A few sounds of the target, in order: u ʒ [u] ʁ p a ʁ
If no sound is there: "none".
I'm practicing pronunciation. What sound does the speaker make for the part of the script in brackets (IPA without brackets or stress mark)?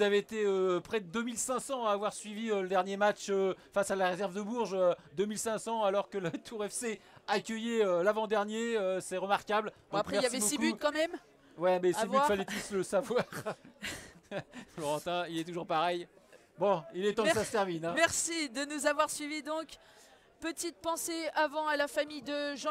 u